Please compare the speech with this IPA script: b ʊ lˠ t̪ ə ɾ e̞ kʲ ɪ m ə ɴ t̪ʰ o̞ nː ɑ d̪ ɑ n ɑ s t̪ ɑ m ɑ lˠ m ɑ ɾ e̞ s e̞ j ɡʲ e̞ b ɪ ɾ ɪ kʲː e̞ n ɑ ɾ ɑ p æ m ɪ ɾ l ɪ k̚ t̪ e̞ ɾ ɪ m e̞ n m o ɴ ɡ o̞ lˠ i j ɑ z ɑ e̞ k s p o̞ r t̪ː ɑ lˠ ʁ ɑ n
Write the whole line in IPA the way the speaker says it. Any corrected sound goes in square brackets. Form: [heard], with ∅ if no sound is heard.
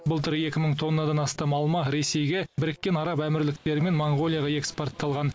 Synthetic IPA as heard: b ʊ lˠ t̪ ə ɾ e̞ kʲ ɪ m ə ɴ t̪ʰ o̞ nː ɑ d̪ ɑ n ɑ s t̪ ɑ m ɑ lˠ m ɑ ɾ e̞ s e̞ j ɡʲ e̞ b ɪ ɾ ɪ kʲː e̞ n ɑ ɾ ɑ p æ m ɪ ɾ l ɪ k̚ t̪ e̞ ɾ ɪ m e̞ n m o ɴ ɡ o̞ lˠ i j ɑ [ʁ] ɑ e̞ k s p o̞ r t̪ː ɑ lˠ ʁ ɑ n